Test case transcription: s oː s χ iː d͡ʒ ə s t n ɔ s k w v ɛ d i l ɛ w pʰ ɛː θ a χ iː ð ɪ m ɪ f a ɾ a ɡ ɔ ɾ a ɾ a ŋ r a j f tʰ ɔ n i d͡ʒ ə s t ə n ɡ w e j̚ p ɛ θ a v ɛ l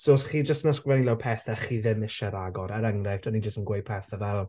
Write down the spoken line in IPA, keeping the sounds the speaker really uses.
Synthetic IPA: s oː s χ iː d͡ʒ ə s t n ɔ s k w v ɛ n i l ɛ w pʰ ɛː θ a χ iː ð ɪ m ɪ ʃ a ɾ a ɡ ɔ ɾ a ɾ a ŋ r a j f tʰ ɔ n i d͡ʒ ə s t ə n ɡ w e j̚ pʰ ɛ θ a v ɛ l